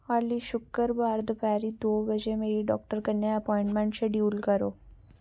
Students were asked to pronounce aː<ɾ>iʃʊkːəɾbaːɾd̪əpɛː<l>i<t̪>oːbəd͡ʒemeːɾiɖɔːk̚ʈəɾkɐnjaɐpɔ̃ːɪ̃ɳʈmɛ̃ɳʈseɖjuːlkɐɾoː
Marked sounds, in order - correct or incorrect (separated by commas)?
incorrect, incorrect, incorrect